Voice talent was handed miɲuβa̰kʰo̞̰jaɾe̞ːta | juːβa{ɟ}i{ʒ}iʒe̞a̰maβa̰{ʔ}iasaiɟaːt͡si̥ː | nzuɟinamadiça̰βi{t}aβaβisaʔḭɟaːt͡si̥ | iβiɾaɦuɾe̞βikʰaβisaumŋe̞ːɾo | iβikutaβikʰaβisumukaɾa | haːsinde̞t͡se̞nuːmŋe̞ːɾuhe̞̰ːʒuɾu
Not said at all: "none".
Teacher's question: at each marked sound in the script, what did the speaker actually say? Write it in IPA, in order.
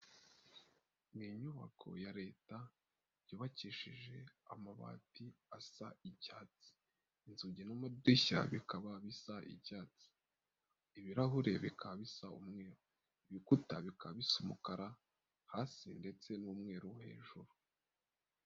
c, ʃ, t, k

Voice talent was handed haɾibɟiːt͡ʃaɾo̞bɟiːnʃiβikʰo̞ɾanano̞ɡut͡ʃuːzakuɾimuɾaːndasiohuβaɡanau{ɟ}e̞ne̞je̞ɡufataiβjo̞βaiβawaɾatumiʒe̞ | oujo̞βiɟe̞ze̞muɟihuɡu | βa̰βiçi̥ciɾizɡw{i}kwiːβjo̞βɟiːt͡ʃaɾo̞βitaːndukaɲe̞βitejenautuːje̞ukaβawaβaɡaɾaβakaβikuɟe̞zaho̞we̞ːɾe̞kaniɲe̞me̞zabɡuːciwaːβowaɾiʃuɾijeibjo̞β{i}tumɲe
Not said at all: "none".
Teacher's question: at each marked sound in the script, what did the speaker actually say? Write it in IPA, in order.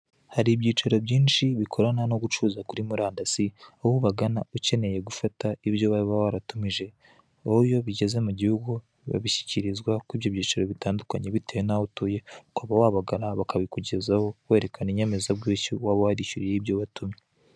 c, a, a

